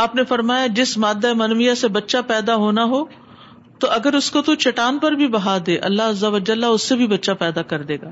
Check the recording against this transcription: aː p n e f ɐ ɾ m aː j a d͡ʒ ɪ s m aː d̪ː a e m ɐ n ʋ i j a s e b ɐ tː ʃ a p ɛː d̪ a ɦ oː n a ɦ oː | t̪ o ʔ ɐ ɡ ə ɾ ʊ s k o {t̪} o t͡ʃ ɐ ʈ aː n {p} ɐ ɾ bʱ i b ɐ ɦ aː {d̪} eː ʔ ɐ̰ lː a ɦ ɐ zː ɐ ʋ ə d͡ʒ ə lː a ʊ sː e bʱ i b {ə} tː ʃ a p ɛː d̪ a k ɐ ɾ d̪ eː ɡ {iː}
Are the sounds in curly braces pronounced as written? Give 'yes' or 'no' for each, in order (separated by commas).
yes, yes, yes, no, no